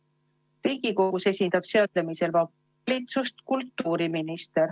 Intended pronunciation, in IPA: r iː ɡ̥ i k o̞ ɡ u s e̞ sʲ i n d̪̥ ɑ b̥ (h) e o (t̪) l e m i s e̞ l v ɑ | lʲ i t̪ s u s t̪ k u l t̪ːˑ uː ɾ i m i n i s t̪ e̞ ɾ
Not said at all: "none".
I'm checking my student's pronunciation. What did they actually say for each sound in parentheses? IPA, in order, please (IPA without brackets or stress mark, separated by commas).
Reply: s, t̪